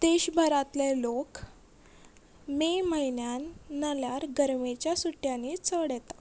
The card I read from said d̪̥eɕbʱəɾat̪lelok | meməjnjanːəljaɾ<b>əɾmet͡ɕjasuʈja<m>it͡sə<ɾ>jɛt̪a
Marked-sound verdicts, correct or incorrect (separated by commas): incorrect, incorrect, incorrect